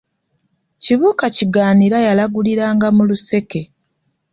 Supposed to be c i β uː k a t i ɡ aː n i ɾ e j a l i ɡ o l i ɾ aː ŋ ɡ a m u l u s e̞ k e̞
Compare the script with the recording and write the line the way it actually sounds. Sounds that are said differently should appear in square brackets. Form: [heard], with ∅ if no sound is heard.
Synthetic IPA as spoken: c i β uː k a [c] i ɡ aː n i ɾ [a] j a l [a] ɡ [u] l i ɾ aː ŋ ɡ a m u l u s e̞ k e̞

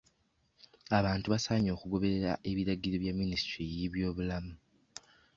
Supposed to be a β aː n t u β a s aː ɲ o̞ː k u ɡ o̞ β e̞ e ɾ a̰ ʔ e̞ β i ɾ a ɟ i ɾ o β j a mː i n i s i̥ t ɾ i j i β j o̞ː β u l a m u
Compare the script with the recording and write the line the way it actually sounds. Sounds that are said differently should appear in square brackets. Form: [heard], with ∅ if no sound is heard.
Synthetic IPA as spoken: a β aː n t u β a s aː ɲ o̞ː k u ɡ o̞ β e̞ e ɾ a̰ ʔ e̞ β i ɾ a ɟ i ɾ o β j a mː i n i s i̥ t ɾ i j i β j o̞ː β u l a m u

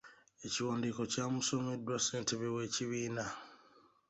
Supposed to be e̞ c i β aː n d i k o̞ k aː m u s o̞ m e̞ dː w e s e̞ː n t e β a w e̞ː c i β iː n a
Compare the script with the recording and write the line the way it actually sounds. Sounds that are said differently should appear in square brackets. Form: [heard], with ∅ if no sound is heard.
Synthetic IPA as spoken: e̞ c i [w] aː n d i k o̞ [c] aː m u s o̞ m e̞ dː w [a] s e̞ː n t e β [e] w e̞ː c i β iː n a

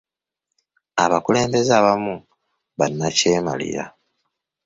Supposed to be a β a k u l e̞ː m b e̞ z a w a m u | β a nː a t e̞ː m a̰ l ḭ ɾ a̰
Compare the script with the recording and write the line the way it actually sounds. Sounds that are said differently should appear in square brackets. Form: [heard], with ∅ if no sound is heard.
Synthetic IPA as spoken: a β a k u l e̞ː m b e̞ z a [β] a m u | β a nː a [c] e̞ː m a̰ l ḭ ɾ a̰

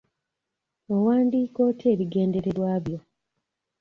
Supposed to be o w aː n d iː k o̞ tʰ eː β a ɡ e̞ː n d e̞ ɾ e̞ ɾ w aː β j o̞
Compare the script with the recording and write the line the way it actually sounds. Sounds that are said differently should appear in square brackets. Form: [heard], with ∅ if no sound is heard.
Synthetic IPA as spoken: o w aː n d iː k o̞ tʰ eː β [i] ɡ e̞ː n d e̞ ɾ e̞ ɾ w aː β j o̞

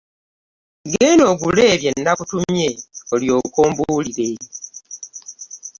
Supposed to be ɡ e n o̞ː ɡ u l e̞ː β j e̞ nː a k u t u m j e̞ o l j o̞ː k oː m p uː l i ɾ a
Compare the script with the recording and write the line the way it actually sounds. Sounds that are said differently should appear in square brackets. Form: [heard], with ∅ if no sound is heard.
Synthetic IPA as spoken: ɡ e n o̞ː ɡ u l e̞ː β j e̞ nː a k u t u m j e̞ o l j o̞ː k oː m [b] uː l i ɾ [e]

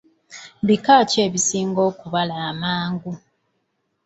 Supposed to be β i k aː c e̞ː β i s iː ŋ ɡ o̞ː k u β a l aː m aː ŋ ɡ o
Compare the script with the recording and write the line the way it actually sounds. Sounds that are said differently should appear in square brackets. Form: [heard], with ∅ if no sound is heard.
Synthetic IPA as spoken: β i k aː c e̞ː β i s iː ŋ ɡ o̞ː k u β a l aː m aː ŋ ɡ [u]

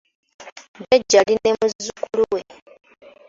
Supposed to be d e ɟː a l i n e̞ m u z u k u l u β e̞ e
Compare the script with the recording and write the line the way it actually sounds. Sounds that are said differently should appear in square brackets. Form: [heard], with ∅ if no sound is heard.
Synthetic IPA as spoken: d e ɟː a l i n e̞ m u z u k u l u [w] e̞ e

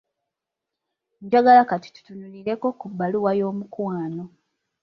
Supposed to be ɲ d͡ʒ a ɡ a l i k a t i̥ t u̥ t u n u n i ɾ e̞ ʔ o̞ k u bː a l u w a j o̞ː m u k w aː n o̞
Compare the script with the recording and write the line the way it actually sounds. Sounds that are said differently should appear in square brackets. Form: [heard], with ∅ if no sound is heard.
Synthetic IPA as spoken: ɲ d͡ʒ a ɡ a l [a] k a t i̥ t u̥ t u n u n i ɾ e̞ [k] o̞ k u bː a l u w a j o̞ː m u k w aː n o̞

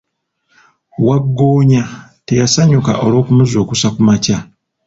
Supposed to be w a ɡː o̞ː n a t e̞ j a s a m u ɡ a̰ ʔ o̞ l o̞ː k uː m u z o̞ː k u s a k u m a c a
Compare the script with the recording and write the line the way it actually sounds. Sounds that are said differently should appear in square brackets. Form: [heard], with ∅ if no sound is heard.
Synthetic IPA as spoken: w a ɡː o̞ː [ɲ] a t e̞ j a s a [ɲ] u [k] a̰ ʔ o̞ l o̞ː k [u] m u z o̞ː k u s a k u m a c a

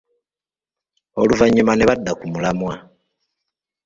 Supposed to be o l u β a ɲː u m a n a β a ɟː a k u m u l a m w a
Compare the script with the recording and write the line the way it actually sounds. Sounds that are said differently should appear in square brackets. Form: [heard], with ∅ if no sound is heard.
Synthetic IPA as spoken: o l u [v] a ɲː u m a n [e] β a [dː] a k u m u l a m w a

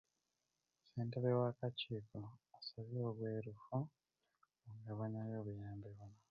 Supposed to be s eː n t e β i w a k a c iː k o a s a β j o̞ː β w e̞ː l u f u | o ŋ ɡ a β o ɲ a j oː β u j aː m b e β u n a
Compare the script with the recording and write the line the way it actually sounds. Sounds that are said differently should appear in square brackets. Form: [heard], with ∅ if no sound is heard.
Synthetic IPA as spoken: s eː n t e β [e] w a k a c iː k o a s a β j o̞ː β w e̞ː [ɾ] u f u | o ŋ ɡ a β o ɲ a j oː β u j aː m b e β u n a

